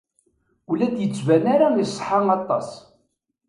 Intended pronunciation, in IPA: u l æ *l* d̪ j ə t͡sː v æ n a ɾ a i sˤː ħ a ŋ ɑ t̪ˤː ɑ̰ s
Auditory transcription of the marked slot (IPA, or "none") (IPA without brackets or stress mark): none